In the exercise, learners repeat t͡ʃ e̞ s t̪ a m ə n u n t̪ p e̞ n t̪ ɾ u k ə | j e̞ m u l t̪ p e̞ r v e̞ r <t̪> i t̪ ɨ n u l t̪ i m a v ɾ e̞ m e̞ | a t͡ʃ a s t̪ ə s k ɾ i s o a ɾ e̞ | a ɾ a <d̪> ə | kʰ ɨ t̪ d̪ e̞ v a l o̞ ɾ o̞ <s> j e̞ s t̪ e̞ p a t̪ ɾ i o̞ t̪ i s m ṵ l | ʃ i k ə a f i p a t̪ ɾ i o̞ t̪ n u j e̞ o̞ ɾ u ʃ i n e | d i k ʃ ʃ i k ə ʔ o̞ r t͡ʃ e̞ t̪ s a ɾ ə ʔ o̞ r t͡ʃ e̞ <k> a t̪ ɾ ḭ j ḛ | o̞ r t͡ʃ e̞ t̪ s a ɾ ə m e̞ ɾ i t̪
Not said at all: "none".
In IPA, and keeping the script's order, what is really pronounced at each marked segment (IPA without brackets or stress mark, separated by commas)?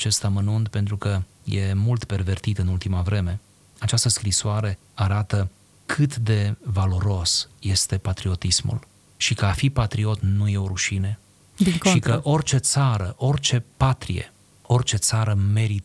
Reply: t̪, t̪, s, p